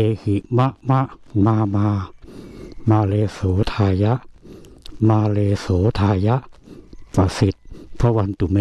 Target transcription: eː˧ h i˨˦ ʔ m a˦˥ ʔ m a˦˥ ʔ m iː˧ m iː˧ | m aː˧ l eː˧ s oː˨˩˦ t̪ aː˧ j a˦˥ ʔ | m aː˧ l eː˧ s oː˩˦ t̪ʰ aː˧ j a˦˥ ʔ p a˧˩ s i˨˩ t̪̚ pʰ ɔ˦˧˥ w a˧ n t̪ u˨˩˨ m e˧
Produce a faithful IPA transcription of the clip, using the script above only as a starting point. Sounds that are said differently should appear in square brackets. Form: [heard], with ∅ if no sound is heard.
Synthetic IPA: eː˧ h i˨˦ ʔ m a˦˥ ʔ m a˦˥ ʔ m [aː˧] m [aː˧] | m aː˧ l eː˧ s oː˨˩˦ [t̪ʰ] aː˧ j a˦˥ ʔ | m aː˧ l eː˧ s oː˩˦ t̪ʰ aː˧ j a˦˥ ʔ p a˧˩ s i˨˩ t̪̚ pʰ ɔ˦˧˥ w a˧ n t̪ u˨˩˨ m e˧